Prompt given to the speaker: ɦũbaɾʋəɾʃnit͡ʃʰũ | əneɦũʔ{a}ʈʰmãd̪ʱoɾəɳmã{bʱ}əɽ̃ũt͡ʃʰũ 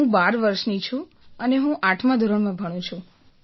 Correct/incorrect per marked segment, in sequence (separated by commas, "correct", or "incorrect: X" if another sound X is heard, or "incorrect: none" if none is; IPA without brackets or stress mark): correct, correct